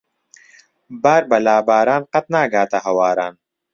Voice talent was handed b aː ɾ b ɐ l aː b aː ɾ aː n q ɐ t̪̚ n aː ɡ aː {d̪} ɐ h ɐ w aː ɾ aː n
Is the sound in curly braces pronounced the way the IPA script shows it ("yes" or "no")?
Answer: no